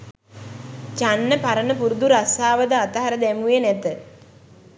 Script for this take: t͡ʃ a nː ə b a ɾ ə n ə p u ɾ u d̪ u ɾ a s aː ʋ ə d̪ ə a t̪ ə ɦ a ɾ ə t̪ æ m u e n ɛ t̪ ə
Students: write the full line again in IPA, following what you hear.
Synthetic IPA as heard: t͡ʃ a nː ə p a ɾ ə n ə p u ɾ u d̪ u ɾ a s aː ʋ ə d̪ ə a t̪ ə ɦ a ɾ ə d̪ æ m u e n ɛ t̪ ə